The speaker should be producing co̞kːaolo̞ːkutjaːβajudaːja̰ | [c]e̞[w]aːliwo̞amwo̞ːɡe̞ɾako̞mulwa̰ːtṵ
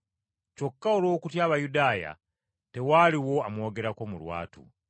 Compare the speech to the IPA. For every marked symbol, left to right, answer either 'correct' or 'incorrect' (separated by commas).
incorrect, correct